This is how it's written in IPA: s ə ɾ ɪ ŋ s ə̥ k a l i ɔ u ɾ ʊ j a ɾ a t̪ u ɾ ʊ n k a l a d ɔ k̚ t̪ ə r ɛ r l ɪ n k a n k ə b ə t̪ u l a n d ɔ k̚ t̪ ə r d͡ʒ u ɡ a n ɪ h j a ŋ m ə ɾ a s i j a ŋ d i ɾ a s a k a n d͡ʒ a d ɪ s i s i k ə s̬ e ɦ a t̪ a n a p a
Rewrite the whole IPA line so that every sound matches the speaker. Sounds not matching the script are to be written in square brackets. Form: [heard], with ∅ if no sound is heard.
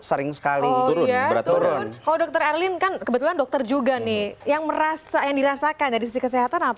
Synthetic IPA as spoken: s ə ɾ ɪ ŋ s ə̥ k a l i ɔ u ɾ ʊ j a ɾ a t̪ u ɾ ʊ n k a l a d ɔ k̚ t̪ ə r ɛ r l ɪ n k a n k ə b ə t̪ u l a n d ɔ k̚ t̪ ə r d͡ʒ u ɡ a n ɪ h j a ŋ m ə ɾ a s [a] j a ŋ d i ɾ a s a k a n d͡ʒ a d [i] s i s i k ə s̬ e ɦ a t̪ a n a p a